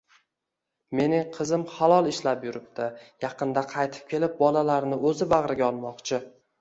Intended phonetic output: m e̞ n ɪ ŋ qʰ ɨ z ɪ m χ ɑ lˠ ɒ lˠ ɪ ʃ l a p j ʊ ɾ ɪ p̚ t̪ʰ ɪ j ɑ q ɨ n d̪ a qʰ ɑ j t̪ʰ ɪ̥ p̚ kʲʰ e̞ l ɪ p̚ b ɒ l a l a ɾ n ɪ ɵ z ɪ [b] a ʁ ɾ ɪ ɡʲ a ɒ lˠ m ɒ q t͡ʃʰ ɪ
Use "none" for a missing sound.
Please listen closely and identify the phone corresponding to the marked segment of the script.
b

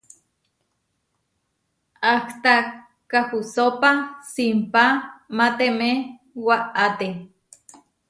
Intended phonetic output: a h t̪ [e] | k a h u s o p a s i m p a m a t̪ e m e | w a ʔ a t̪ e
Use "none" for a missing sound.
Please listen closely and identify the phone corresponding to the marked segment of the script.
a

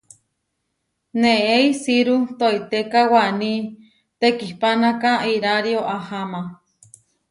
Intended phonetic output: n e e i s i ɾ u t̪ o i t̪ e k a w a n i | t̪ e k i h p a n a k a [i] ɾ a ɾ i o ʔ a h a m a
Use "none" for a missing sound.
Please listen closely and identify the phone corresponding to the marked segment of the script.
i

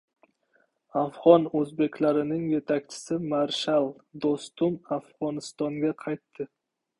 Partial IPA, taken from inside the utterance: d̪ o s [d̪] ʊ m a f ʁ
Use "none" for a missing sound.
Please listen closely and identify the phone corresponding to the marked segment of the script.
t̪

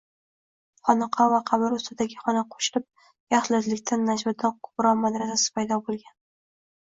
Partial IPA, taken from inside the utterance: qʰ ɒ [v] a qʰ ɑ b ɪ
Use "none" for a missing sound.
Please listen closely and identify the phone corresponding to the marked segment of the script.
v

